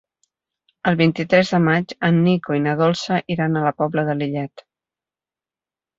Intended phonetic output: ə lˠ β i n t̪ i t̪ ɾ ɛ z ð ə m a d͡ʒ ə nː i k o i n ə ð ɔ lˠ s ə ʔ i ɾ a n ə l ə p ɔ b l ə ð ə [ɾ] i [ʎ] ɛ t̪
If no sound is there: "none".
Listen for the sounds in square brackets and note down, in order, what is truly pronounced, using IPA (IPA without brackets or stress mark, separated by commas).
l, ʎ